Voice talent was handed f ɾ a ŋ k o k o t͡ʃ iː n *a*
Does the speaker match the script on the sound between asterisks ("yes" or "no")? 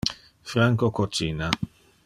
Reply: yes